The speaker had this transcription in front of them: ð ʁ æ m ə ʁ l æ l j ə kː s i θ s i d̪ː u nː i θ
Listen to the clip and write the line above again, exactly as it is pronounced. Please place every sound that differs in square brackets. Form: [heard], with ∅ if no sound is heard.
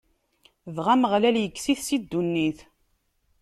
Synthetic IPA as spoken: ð ʁ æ m ə ʁ l æ l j ə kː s i θ s i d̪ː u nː i θ